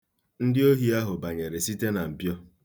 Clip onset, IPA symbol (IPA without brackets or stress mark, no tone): n̩